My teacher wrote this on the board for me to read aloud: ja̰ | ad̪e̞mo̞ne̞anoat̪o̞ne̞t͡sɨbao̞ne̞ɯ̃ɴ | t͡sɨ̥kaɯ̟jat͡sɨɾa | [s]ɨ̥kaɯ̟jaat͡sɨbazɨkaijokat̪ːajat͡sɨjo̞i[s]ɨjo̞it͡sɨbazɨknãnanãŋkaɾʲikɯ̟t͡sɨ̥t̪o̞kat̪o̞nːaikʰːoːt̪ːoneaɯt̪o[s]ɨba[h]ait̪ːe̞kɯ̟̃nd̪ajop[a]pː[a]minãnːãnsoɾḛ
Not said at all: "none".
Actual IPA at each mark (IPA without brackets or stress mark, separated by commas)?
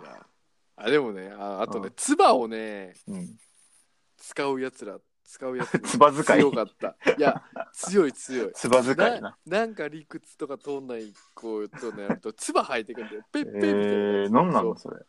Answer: t͡s, t͡s, t͡s, h, e, e